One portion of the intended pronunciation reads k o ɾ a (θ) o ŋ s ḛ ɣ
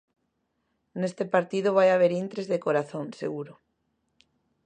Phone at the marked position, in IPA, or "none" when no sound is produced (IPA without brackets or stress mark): θ